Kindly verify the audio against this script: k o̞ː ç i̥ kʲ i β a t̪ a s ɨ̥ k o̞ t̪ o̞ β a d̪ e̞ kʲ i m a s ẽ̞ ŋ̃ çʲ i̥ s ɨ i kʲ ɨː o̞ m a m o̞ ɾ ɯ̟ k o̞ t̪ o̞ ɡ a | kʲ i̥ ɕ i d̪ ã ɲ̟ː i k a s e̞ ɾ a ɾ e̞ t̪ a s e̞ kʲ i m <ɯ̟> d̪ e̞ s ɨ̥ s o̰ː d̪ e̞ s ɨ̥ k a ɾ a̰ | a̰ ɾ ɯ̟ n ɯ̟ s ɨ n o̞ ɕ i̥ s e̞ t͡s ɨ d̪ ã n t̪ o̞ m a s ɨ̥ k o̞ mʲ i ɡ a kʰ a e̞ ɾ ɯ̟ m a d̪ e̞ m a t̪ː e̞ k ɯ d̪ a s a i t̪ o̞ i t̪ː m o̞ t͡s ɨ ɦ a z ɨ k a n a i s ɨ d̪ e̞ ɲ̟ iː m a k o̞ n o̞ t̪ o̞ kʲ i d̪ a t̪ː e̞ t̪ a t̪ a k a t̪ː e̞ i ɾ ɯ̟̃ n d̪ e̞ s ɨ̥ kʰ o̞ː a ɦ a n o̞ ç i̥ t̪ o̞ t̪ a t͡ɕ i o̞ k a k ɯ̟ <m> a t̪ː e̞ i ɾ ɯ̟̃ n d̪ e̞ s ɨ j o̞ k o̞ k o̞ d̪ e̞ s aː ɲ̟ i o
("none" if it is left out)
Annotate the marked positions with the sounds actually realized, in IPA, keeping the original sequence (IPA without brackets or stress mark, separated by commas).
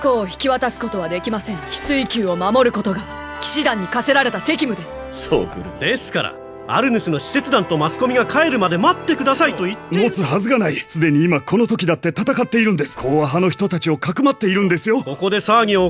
ɯ̟, m